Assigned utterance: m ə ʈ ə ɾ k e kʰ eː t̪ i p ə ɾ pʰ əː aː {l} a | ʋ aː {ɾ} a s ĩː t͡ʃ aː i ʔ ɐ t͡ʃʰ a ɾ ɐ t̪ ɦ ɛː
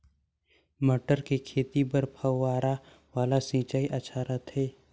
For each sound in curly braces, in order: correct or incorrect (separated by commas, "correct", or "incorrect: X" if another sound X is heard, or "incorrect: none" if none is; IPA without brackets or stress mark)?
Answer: incorrect: ɾ, incorrect: l